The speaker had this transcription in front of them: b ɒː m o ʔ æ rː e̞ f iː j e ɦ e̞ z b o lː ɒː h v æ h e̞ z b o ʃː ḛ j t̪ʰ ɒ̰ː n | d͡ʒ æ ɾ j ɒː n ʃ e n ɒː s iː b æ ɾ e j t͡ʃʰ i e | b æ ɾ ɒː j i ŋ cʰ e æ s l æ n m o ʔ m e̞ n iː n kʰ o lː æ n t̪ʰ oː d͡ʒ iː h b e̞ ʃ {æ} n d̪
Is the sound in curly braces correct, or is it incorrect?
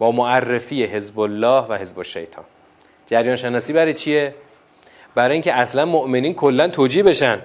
correct